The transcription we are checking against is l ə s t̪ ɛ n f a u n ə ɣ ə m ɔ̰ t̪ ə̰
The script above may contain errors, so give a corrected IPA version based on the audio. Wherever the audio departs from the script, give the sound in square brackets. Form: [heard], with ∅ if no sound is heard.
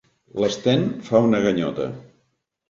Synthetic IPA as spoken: l ə s t̪ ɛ n f a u n ə ɣ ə [ɲ] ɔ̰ t̪ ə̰